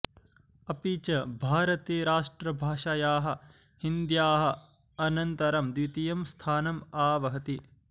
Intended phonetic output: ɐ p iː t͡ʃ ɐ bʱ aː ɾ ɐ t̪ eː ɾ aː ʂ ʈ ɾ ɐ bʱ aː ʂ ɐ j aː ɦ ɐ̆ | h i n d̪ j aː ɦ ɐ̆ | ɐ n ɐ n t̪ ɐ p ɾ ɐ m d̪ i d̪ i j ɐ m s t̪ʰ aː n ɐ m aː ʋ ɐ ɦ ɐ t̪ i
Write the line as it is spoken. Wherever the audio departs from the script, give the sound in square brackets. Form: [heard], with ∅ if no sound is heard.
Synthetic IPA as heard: ɐ p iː t͡ʃ ɐ bʱ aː ɾ ɐ t̪ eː ɾ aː ʂ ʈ ɾ ɐ bʱ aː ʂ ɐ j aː ɦ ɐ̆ | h i n d̪ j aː ɦ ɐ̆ | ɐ n ɐ n t̪ ɐ [∅] ɾ ɐ m d̪ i [t̪] i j ɐ m s t̪ʰ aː n ɐ m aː ʋ ɐ ɦ ɐ t̪ i